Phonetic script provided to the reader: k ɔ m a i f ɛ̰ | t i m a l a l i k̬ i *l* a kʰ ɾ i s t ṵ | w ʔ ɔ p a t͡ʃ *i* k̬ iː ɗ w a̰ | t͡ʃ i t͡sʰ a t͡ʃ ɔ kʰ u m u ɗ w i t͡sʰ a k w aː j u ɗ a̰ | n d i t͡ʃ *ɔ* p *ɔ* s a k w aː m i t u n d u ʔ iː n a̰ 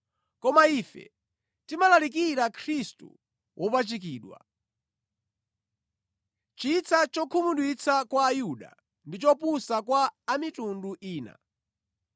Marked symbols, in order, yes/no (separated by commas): no, yes, yes, no